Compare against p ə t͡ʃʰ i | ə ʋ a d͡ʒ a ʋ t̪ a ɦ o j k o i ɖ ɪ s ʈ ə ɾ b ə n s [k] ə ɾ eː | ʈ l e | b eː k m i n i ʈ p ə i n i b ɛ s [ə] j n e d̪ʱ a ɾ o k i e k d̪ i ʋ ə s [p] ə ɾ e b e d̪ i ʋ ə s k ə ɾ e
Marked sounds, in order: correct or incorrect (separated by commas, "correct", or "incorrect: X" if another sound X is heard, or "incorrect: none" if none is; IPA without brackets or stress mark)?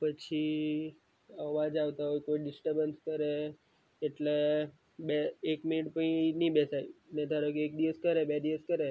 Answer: correct, incorrect: a, incorrect: k